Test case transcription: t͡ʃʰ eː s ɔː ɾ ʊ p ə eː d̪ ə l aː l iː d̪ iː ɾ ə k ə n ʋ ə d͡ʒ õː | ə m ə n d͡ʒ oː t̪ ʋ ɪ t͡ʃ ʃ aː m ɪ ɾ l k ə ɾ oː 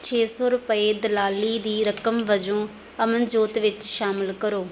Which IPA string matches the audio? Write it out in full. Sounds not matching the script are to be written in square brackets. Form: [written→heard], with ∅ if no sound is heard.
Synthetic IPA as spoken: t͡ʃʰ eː s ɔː ɾ ʊ p ə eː d̪ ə l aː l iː d̪ iː ɾ ə k ə [n→m] ʋ ə d͡ʒ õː | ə m ə n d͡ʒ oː t̪ ʋ ɪ t͡ʃ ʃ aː m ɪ [ɾ→∅] l k ə ɾ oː